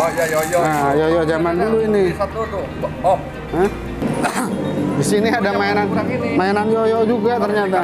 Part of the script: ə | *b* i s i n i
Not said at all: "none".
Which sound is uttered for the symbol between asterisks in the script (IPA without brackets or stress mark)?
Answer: d